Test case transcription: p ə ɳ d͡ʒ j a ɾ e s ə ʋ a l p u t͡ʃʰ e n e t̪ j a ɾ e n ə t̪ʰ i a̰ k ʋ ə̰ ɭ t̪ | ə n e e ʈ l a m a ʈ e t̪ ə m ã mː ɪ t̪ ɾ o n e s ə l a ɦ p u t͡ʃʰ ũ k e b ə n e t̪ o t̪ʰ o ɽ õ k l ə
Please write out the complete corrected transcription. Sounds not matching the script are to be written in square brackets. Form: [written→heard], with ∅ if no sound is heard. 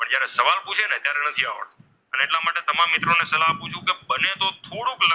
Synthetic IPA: p ə ɳ d͡ʒ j a ɾ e s ə ʋ a l p u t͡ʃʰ e n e t̪ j a ɾ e n ə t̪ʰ i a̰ [k→∅] ʋ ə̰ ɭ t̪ | ə n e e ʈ l a m a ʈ e t̪ ə m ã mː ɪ t̪ ɾ o n e s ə l a ɦ p u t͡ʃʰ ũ k e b ə n e t̪ o t̪ʰ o ɽ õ k l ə

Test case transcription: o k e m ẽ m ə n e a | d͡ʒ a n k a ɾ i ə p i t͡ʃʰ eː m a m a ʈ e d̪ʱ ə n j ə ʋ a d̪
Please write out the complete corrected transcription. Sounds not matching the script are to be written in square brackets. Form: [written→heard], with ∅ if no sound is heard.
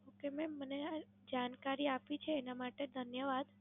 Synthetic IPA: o k e m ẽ m ə n e a | d͡ʒ a n k a ɾ i [ə→a] p i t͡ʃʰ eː [m→n] a m a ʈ e d̪ʱ ə n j ə ʋ a d̪

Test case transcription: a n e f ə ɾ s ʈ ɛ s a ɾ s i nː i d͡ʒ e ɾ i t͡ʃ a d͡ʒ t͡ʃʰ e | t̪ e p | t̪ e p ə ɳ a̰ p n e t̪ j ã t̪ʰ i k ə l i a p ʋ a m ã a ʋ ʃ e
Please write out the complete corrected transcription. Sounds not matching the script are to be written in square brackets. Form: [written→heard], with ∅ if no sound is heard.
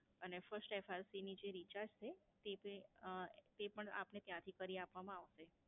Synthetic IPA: [a→ə] n e f ə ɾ s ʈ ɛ [s→f] a ɾ s i [nː→n] i d͡ʒ e ɾ i t͡ʃ a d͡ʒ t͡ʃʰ e | t̪ e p | t̪ e p ə ɳ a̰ p n e t̪ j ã t̪ʰ i k ə [l→ɾ] i a p ʋ a m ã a ʋ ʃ e

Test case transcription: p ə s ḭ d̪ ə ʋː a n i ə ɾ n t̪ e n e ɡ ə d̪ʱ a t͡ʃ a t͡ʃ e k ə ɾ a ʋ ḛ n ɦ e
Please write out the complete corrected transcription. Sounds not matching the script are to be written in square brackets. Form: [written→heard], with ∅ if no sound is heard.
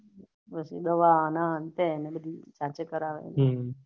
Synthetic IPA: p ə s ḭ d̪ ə [ʋː→ʋ] a n [i→a] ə [ɾ→∅] n t̪ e n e [ɡ→b] ə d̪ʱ [a→i] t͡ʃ a t͡ʃ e k ə ɾ a ʋ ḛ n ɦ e

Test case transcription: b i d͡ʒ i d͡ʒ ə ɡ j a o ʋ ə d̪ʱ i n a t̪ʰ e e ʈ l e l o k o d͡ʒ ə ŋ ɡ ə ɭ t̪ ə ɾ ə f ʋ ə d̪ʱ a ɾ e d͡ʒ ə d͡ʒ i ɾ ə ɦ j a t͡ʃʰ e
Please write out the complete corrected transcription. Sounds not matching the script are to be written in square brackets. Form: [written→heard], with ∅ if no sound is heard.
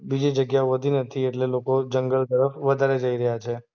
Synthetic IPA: b i d͡ʒ i d͡ʒ ə ɡ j a o ʋ ə d̪ʱ i n [a→ə] t̪ʰ [e→i] e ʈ l e l o k o d͡ʒ ə ŋ ɡ ə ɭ t̪ ə ɾ ə f ʋ ə d̪ʱ a ɾ e d͡ʒ ə [d͡ʒ→∅] i ɾ ə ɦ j a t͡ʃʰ e

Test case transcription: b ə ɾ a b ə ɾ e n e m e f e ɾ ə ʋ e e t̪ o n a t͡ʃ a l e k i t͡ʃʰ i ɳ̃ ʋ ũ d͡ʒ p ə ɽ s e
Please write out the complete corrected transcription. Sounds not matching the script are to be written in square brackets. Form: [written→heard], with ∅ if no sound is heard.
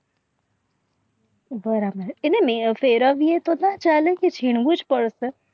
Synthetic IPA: b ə ɾ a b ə ɾ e n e m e f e ɾ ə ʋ [e→i] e t̪ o n a t͡ʃ a l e k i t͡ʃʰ i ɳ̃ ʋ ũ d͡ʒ p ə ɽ s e

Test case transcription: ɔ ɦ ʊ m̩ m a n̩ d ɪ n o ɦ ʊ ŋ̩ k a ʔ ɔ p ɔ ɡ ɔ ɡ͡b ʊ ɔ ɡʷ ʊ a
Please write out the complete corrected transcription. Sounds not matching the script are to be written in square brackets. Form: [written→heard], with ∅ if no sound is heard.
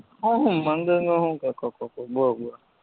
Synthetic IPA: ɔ ɦ ʊ m̩ m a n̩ d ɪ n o ɦ ʊ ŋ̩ k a [ʔ→k] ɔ [p→k] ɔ [ɡ→k] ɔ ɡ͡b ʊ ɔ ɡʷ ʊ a

